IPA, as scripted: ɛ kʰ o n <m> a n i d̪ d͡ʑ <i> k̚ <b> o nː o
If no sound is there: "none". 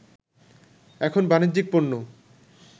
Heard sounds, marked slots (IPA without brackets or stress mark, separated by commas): b, i, p